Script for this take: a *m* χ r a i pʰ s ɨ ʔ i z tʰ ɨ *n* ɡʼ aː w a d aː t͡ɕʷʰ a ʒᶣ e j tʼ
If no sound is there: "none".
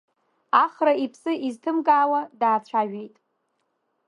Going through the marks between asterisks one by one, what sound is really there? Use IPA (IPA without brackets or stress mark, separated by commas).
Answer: none, m